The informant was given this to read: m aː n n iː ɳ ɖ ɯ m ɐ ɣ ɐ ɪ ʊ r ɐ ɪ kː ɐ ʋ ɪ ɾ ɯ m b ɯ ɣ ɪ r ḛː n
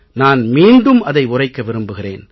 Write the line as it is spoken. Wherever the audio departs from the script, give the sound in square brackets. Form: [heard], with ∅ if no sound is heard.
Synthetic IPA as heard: [n] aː n [m] iː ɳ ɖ ɯ m ɐ [ð] ɐ ɪ ʊ r ɐ ɪ kː ɐ ʋ ɪ ɾ ɯ m b ɯ ɣ ɪ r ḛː n